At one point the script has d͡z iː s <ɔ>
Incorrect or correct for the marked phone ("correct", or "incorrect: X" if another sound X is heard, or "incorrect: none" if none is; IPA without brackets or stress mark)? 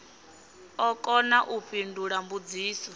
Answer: correct